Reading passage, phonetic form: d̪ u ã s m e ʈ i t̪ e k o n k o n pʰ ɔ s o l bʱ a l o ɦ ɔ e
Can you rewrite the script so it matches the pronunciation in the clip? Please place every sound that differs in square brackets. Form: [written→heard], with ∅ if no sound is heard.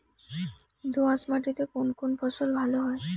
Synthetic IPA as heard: d̪ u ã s m [e→a] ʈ i t̪ e k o n k o n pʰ ɔ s o l bʱ a l o ɦ ɔ e